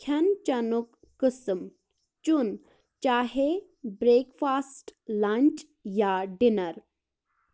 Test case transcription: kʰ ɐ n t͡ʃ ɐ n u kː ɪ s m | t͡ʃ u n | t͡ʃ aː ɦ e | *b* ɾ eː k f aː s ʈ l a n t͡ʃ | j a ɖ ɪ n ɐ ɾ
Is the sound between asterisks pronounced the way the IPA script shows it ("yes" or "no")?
yes